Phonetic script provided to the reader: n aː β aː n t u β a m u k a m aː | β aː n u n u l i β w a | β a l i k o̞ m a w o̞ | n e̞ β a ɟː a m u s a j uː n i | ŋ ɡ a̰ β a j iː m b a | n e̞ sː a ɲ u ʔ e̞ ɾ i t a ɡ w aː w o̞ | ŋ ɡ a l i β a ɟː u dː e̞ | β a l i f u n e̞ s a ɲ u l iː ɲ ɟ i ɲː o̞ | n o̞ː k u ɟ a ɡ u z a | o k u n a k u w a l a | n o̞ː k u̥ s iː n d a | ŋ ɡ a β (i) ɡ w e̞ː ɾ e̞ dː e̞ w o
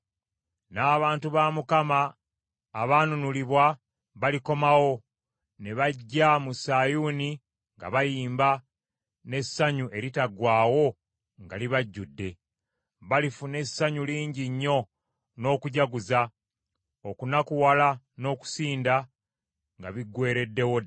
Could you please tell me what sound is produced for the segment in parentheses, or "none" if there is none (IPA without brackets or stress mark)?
i